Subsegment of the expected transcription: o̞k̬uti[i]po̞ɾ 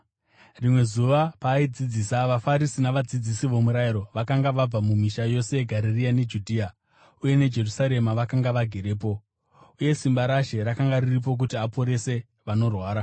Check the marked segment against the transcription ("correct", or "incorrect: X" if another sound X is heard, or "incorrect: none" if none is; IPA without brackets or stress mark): incorrect: a